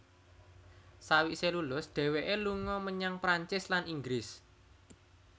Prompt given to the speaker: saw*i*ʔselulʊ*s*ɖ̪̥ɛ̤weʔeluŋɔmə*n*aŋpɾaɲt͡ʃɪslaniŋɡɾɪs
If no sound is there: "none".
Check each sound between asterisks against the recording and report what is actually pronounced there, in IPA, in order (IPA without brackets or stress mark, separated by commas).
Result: i, s, ɲ